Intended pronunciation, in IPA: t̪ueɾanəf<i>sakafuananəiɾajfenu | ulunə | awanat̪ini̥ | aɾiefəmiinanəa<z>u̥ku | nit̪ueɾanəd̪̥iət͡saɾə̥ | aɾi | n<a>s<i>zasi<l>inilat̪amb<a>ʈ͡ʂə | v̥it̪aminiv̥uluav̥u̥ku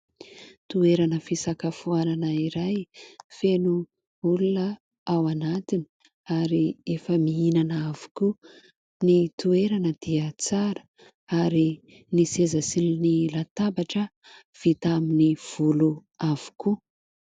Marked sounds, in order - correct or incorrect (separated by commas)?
correct, incorrect, incorrect, incorrect, correct, correct